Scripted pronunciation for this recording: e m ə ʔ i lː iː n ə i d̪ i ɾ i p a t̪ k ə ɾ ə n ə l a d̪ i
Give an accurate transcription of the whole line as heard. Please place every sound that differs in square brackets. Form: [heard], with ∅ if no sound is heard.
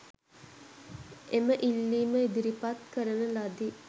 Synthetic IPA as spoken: e m ə ʔ i lː iː [m] ə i d̪ i ɾ i p a t̪ k ə ɾ ə n ə l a d̪ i